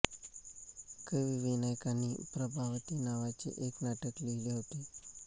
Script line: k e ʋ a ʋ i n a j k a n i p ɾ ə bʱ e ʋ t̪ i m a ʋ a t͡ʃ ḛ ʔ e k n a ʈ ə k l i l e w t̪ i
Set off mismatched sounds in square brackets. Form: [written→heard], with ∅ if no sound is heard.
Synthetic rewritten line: k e ʋ [a→i] ʋ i n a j k a n i p ɾ ə bʱ [e→a] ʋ t̪ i [m→n] a ʋ a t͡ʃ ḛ ʔ e k n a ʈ ə k l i l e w t̪ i